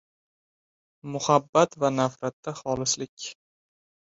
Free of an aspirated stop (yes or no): yes